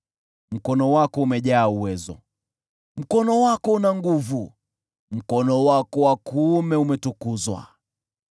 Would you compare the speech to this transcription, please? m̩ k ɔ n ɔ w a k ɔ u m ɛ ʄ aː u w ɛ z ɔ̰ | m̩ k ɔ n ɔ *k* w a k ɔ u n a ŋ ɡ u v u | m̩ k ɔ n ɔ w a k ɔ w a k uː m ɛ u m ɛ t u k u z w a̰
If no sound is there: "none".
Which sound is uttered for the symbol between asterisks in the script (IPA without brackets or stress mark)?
none